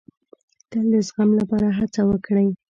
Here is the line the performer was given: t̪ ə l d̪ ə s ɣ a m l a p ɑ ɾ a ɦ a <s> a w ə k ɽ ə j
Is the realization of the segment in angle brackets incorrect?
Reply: yes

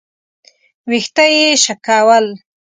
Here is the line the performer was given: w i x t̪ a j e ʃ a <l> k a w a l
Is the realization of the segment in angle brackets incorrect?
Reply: yes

